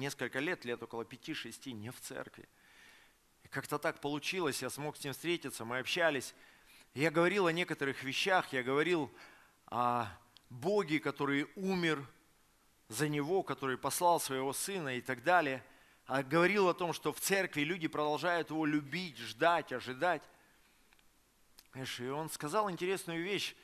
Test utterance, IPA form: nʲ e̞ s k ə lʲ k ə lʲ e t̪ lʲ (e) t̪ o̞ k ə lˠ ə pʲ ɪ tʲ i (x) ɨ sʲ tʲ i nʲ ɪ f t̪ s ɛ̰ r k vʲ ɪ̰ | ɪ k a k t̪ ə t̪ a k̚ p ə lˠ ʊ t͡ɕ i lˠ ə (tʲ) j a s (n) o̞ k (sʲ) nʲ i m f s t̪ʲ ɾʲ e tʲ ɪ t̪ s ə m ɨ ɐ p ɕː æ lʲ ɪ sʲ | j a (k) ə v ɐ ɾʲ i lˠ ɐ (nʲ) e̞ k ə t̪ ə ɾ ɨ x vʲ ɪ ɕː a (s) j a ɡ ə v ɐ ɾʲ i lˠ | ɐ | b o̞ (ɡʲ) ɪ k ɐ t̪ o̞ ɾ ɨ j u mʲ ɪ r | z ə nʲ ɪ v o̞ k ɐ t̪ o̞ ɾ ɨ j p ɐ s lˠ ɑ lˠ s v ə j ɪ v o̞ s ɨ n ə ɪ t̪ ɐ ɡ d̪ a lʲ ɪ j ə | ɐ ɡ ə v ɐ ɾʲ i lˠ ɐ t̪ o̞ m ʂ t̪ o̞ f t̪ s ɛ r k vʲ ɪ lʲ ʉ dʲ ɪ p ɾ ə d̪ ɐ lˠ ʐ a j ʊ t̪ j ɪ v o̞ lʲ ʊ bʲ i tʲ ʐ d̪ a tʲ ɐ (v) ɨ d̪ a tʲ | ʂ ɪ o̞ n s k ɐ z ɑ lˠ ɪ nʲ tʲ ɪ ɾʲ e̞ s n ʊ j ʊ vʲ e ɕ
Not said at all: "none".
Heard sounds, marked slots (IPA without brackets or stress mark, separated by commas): e, ʂ, sʲ, m, sʲ, ɡ, nʲ, x, ɡʲ, ʐ